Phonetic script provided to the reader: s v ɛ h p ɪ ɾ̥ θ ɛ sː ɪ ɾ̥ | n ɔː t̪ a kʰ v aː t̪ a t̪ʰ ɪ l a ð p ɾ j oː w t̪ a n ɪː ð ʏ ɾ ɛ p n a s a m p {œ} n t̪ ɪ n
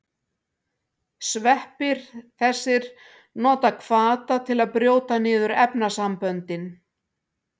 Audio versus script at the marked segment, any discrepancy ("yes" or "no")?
no